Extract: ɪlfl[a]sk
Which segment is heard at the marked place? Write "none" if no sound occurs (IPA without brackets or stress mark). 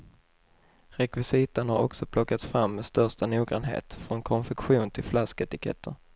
a